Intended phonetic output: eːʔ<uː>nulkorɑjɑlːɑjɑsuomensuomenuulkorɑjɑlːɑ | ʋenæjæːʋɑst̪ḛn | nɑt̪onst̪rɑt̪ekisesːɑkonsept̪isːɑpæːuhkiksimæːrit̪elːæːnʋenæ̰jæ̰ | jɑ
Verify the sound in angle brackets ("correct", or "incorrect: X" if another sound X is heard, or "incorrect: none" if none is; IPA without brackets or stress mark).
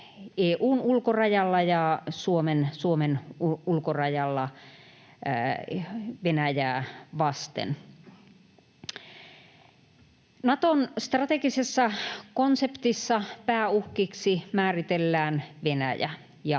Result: correct